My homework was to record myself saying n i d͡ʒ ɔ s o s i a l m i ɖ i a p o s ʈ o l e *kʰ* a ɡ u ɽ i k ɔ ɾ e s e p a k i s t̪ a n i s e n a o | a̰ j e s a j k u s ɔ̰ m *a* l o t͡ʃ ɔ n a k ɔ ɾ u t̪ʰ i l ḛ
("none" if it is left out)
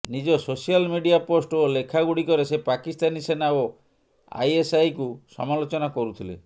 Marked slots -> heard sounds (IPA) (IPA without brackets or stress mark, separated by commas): kʰ, a